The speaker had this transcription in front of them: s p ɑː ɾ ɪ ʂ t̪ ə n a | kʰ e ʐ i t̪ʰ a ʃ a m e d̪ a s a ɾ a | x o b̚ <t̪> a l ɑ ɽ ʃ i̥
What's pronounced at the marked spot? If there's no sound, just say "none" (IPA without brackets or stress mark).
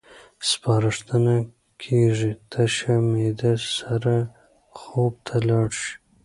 t̪ʰ